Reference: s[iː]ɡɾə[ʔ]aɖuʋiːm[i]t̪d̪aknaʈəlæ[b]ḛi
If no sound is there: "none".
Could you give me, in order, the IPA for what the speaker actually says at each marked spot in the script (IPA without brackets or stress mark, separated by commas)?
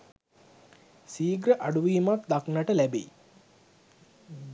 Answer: iː, ʔ, a, b